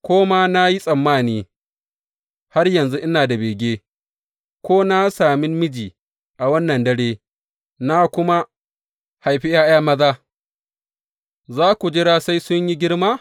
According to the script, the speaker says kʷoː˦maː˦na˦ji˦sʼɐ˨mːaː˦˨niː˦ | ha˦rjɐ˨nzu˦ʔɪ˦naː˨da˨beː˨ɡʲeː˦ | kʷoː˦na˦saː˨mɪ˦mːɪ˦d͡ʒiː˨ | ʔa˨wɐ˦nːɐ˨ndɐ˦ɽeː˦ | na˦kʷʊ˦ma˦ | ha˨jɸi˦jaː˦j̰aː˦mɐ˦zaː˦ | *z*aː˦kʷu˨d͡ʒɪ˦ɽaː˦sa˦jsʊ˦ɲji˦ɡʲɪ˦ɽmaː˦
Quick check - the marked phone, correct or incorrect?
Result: correct